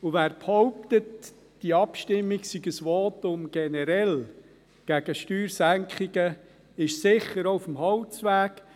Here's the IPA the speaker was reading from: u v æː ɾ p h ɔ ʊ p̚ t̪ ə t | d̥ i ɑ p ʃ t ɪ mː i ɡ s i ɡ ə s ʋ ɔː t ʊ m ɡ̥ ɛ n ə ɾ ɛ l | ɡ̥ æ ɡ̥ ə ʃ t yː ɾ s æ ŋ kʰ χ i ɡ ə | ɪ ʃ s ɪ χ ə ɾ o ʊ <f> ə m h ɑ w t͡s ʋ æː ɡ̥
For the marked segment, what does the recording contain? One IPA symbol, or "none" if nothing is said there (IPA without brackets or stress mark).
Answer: f